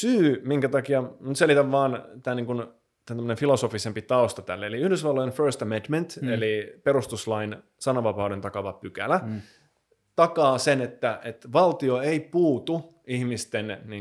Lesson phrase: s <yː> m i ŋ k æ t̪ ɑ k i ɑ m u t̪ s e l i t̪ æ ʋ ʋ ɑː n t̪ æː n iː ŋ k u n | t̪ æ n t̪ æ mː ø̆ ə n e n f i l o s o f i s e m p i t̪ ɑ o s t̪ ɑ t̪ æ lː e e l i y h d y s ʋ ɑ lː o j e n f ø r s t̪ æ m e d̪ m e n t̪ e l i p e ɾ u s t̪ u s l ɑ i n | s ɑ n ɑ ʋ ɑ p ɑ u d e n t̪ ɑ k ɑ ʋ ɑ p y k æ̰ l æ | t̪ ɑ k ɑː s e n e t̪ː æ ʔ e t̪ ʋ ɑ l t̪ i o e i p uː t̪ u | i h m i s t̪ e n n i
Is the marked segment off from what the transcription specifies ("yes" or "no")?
no